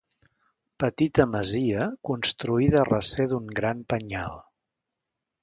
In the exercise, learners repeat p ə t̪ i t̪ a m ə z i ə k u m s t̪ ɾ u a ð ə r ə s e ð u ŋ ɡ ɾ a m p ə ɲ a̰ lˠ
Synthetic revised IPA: p ə t̪ i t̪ ə m ə z i ə k u n s t̪ ɾ u i ð ə r ə s e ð u ŋ ɡ ɾ a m p ə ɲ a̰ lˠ